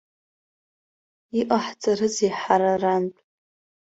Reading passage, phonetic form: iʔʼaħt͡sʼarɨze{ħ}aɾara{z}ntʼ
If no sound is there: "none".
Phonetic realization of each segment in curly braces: ħ, none

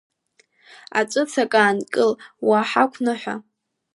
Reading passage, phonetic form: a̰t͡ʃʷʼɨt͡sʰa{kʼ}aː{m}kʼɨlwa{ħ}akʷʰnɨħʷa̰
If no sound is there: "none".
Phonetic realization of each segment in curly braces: kʼ, n, ħ

